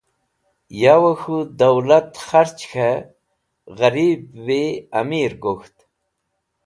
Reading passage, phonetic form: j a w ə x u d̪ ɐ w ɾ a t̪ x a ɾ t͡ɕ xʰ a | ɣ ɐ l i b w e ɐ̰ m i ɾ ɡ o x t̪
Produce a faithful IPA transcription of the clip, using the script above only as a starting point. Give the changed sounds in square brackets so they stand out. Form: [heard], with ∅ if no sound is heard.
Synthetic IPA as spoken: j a w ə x u d̪ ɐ w [l] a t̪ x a ɾ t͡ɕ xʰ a | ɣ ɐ [ɾ] i b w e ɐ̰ m i ɾ ɡ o x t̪